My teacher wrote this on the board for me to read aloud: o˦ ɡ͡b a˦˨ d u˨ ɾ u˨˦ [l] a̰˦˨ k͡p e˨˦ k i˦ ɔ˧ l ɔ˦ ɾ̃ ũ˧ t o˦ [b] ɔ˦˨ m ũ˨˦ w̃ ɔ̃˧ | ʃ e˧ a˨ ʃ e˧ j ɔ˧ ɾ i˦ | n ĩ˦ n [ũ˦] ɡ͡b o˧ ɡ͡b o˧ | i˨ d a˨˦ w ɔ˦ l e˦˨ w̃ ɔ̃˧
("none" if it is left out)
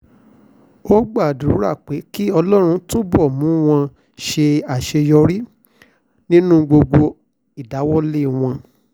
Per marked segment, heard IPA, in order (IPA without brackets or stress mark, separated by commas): ɾ, b, ũ˦